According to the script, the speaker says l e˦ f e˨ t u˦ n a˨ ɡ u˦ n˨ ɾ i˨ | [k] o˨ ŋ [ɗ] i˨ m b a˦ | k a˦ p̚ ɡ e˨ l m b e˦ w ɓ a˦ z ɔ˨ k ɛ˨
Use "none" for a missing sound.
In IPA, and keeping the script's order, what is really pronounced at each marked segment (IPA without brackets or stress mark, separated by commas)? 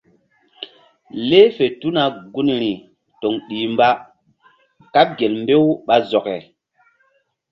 t, ɗ